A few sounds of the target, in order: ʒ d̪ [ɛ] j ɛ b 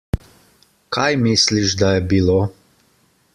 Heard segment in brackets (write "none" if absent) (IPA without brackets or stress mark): a